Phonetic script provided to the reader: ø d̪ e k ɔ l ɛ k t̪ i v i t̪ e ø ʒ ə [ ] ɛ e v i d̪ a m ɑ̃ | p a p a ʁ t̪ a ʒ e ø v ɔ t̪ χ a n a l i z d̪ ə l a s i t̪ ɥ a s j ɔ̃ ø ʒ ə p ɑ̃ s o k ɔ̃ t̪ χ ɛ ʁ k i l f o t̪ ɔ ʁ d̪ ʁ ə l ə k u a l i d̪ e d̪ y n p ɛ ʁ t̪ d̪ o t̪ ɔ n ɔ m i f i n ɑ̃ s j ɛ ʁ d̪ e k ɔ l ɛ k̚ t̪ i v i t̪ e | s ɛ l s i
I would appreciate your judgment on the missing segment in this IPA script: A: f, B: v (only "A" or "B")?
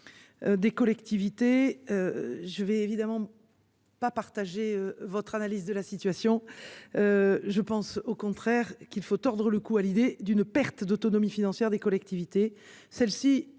B